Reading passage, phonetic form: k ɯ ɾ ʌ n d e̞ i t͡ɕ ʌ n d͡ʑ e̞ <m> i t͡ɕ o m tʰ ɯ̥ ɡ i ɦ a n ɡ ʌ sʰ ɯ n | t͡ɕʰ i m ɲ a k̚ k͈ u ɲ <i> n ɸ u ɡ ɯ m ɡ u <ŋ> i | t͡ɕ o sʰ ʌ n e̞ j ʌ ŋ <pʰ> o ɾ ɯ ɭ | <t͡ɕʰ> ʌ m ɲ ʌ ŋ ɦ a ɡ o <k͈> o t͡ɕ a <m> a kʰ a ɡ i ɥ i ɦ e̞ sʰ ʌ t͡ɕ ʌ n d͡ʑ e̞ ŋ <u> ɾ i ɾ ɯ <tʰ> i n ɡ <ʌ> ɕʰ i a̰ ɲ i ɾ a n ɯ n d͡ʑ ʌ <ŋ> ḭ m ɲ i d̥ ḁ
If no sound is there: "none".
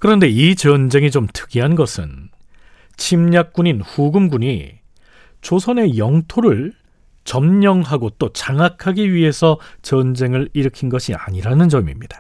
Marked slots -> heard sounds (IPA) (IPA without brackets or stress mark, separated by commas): ŋ, i, ɲ, tʰ, t͡ɕ, t͈, ŋ, ɯ, kʰ, ʌ, m